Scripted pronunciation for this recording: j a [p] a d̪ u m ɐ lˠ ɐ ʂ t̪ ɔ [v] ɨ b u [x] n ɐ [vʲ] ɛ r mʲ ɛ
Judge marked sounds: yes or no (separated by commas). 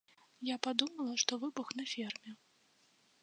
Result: yes, yes, yes, no